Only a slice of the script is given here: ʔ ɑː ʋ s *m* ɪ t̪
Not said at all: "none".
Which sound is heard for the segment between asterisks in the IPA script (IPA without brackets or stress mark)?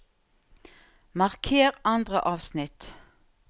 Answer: n